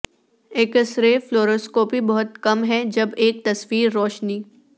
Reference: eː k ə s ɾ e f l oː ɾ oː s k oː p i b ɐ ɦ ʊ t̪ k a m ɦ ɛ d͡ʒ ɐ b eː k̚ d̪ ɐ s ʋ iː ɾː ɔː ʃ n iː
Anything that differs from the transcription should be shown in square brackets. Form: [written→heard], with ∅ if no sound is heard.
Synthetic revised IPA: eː k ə s ɾ e f l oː ɾ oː s k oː p i b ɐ ɦ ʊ t̪ k [a→ɐ] m ɦ ɛ d͡ʒ ɐ b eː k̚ [d̪→t̪] ɐ s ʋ iː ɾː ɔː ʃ n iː